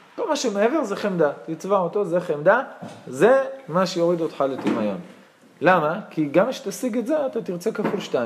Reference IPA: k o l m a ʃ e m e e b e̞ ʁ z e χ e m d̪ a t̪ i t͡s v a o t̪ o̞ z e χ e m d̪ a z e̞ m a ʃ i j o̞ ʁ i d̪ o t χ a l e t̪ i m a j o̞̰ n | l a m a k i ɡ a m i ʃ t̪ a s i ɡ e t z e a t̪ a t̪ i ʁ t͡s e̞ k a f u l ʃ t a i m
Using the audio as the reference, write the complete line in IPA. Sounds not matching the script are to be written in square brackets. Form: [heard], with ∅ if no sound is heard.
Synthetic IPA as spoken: k o l m a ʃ e m e e [v] e̞ ʁ z e χ e m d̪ a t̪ i t͡s v a o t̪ o̞ z e χ e m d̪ a z e̞ m a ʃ [e] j o̞ ʁ i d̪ o t χ a l e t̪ i m a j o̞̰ n | l a m a k i ɡ a m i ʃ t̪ a s i ɡ e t z e a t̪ a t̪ i ʁ t͡s e̞ k a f u l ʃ t a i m